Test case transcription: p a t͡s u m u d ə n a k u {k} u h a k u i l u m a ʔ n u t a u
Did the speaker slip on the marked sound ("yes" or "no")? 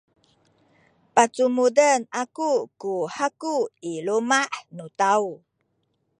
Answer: no